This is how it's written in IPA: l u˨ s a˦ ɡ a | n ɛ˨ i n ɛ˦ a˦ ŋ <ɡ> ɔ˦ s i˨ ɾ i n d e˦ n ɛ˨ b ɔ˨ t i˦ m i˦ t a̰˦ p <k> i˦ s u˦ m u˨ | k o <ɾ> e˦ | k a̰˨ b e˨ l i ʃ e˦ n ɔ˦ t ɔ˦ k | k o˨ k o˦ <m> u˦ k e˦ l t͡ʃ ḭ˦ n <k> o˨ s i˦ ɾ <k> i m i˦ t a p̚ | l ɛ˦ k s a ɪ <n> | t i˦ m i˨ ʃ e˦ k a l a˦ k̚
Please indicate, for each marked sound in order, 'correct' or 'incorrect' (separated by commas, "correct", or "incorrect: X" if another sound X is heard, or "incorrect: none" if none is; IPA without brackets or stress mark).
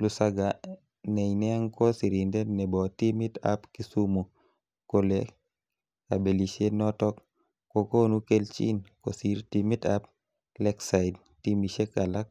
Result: incorrect: k, correct, incorrect: l, incorrect: n, correct, incorrect: t, incorrect: d